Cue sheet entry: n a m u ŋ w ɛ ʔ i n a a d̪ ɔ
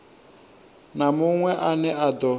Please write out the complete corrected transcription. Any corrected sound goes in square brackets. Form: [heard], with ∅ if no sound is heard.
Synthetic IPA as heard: n a m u ŋ w ɛ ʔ [a] n [ɛ] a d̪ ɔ